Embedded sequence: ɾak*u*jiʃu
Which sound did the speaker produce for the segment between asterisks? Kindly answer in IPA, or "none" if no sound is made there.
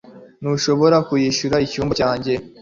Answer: u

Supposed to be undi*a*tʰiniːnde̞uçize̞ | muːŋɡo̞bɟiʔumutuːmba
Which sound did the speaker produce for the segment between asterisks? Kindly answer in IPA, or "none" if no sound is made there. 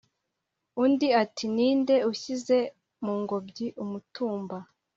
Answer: a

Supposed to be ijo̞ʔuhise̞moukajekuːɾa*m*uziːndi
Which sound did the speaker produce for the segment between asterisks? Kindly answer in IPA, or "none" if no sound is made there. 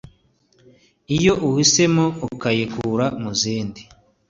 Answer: m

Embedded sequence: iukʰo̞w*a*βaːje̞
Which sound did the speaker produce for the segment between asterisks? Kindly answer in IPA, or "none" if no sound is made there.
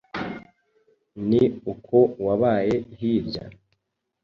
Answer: a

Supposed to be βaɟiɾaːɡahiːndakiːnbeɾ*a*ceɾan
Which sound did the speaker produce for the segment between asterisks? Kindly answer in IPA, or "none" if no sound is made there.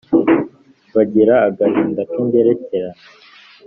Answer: e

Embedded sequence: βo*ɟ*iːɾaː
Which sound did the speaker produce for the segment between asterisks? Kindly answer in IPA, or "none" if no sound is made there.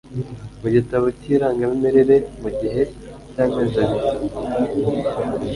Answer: c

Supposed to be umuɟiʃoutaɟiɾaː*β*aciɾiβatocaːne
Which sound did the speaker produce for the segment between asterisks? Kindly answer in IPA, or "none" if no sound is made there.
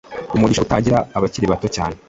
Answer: β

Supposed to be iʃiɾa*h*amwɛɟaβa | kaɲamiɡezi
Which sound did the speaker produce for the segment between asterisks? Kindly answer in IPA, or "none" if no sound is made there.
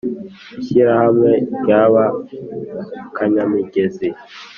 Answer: h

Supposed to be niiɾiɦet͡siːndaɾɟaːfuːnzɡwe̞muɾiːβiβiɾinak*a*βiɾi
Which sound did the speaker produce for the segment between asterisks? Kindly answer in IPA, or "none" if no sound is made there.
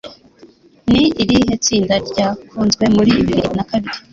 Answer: a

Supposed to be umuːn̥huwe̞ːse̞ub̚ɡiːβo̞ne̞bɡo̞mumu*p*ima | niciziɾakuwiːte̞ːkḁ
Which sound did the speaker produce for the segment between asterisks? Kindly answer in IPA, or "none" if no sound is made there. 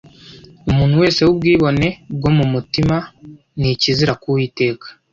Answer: t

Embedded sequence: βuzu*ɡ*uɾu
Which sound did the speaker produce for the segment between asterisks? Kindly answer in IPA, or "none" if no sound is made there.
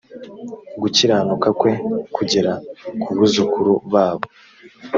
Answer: k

